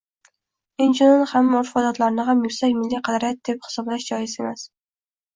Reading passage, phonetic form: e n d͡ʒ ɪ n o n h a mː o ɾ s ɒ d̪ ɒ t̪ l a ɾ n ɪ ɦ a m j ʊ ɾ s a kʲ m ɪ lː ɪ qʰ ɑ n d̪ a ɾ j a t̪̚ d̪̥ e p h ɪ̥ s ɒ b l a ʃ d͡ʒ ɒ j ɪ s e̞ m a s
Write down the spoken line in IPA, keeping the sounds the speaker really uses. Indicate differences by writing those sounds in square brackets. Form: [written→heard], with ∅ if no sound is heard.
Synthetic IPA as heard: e n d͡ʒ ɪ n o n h a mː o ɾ [s→f] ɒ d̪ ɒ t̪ l a ɾ n ɪ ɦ a m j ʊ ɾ s a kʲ m ɪ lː [ɪ→i] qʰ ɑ [n→∅] d̪ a ɾ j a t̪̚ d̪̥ e p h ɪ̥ s ɒ b l a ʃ d͡ʒ ɒ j ɪ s e̞ m a s